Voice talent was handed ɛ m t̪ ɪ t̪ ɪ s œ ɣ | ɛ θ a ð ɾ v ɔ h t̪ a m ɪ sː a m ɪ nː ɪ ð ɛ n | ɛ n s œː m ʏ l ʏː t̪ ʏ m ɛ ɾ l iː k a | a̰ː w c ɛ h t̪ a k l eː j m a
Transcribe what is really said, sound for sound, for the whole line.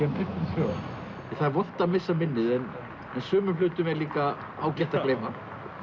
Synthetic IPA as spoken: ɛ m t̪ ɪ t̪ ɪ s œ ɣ | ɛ θ a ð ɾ v ɔ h t̪ a m ɪ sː a m ɪ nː ɪ ð ɛ n | ɛ n s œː m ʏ l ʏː t̪ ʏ m ɛ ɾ l iː k a | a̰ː w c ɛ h t̪ a k l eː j m a